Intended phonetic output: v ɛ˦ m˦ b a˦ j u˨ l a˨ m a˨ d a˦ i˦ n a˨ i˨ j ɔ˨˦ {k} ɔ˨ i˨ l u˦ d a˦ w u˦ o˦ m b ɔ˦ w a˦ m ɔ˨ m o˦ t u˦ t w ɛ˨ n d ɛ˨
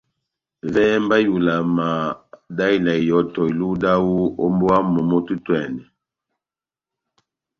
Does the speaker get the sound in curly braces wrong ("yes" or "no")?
yes